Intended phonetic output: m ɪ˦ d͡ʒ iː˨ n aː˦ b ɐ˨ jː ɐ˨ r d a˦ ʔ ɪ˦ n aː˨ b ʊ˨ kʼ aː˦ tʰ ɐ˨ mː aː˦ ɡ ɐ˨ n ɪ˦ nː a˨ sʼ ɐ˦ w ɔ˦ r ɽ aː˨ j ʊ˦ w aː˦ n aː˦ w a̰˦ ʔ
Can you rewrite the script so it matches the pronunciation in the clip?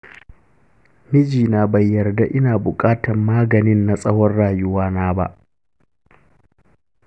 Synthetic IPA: m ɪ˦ d͡ʒ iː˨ n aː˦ b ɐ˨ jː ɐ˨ r d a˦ ʔ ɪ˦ n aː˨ b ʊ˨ kʼ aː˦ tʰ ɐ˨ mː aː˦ ɡ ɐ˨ n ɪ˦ nː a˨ sʼ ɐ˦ w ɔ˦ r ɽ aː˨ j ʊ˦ w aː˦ n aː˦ b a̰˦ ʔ